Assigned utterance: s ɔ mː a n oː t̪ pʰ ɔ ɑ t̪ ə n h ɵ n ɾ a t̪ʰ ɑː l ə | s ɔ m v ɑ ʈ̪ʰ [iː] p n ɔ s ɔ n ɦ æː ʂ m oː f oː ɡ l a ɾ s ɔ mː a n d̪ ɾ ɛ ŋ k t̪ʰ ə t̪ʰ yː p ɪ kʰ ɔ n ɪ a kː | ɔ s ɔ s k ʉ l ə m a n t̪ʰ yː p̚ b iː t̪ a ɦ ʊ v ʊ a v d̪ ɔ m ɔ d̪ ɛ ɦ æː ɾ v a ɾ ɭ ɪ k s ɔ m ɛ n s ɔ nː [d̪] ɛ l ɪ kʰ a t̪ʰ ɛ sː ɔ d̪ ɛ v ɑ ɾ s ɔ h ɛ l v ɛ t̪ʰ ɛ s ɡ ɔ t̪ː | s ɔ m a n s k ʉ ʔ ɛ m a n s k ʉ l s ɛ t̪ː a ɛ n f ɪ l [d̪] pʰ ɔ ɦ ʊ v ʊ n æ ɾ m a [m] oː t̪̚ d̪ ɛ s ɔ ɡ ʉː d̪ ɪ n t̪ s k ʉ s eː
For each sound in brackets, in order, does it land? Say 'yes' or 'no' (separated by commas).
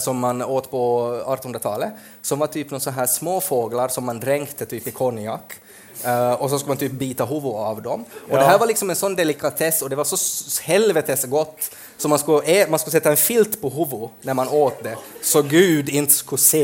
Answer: no, yes, no, no